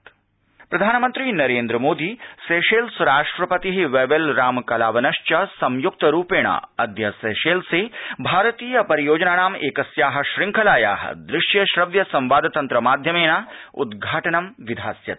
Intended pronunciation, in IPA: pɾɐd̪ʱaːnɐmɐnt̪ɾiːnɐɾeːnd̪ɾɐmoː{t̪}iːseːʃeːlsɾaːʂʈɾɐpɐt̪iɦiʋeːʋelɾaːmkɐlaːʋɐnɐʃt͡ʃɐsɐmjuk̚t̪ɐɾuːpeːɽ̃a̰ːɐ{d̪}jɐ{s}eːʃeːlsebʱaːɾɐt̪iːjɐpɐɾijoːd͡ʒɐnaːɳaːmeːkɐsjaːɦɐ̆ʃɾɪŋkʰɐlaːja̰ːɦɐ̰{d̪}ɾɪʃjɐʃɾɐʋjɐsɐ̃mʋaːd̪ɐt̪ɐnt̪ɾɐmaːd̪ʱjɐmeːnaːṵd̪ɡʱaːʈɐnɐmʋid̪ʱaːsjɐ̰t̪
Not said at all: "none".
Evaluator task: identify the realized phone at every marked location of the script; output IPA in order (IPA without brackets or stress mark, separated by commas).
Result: d̪, d̪, s, d̪